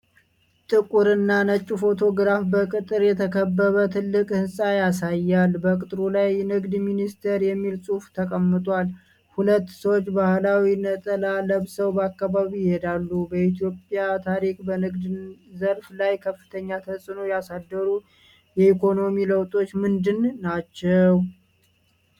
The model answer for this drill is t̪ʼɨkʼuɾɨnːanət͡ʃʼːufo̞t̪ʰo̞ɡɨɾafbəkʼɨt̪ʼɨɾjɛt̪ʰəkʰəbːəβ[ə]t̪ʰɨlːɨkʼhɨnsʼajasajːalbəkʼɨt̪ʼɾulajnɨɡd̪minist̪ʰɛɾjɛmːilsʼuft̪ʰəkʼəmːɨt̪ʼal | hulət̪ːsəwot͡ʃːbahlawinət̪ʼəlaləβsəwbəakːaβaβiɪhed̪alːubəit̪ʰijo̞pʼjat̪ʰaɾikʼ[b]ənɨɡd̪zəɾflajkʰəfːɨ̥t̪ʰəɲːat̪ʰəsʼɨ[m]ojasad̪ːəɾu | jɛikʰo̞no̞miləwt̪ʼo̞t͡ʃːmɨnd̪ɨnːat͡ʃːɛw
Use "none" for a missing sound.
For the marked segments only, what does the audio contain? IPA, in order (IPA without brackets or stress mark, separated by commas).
ə, b, n